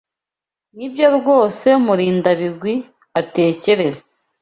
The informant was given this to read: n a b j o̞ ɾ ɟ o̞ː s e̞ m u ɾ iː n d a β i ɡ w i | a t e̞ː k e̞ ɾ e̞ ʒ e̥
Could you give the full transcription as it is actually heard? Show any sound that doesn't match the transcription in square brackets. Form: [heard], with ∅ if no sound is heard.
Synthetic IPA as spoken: n [i] b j o̞ ɾ [ɡ] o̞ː s e̞ m u ɾ iː n d a β i ɡ w i | a t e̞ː [c] e̞ ɾ e̞ [z] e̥